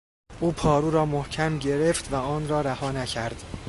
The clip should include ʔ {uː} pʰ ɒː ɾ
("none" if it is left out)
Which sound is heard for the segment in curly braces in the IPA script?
uː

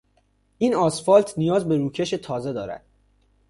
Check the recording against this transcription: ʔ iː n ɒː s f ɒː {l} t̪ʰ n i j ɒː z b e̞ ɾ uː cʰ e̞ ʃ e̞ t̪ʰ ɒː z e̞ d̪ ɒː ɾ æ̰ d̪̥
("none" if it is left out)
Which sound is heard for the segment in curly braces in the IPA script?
l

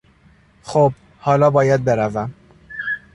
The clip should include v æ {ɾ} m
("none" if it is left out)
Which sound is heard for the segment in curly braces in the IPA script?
none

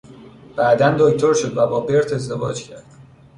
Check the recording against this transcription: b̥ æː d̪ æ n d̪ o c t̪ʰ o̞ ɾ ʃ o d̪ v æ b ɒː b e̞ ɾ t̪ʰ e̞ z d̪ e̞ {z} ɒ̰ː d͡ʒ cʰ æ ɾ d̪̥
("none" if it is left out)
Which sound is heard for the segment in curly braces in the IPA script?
v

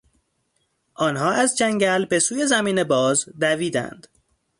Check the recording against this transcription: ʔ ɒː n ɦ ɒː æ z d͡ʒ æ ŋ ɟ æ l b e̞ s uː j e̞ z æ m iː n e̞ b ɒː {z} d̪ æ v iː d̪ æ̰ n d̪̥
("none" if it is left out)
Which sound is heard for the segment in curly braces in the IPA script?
z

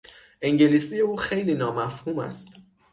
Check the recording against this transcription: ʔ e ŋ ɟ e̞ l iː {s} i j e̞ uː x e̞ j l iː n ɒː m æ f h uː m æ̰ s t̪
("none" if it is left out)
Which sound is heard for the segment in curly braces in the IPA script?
s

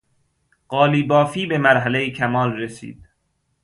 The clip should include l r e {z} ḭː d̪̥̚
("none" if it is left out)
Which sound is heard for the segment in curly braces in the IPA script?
s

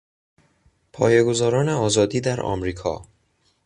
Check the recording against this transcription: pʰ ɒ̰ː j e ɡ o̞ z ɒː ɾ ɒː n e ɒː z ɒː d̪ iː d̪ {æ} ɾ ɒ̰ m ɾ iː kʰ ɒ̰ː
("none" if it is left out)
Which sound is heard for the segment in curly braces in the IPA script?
æ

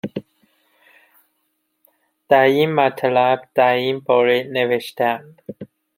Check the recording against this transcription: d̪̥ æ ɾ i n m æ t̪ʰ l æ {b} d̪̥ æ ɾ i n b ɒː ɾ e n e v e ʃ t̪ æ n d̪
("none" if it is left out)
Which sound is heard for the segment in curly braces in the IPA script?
b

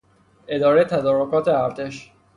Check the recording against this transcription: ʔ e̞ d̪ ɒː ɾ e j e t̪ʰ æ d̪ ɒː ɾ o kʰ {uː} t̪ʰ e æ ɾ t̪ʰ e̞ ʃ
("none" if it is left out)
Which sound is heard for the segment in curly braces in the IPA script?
ɒː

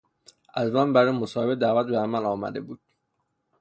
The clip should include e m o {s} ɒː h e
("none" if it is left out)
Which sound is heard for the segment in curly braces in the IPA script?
s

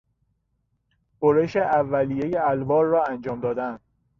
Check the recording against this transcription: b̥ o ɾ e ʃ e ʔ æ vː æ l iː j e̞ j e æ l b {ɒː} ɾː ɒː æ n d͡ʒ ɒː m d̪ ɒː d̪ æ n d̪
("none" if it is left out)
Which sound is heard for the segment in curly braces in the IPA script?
ɒː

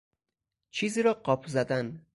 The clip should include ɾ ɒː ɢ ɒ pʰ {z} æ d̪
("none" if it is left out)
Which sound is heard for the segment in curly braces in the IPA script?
z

